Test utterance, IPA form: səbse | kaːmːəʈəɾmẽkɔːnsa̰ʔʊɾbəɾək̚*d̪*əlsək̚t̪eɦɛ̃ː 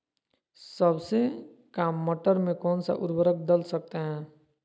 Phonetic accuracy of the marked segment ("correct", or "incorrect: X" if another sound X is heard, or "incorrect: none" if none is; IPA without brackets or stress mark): correct